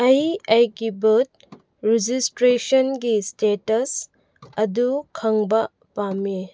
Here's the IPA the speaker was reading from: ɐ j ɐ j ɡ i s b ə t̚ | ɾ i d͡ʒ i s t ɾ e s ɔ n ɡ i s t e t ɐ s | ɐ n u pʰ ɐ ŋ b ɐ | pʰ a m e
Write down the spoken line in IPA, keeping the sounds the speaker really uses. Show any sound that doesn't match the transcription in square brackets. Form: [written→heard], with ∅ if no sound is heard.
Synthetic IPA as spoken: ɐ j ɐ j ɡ i [s→∅] b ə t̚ | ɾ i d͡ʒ i s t ɾ e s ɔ n ɡ i s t e t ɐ s | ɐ [n→d] u [pʰ→kʰ] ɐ ŋ b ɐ | [pʰ→p] a m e